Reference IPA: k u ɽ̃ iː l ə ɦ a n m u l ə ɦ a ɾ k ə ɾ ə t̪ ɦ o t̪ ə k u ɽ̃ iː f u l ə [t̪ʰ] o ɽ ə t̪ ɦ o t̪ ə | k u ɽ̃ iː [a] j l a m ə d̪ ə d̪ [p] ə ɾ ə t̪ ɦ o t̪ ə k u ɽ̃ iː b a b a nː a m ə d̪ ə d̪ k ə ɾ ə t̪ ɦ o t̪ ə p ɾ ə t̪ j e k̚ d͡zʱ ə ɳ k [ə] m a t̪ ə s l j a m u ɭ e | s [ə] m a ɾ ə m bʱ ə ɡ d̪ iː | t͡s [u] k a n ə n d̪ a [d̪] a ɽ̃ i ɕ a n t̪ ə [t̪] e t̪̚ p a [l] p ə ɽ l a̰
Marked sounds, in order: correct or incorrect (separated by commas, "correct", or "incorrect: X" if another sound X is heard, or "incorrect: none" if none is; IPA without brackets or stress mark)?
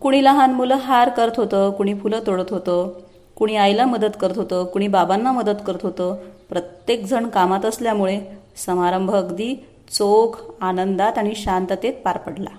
incorrect: t̪, correct, incorrect: k, incorrect: a, correct, incorrect: o, incorrect: t̪, correct, incorrect: ɾ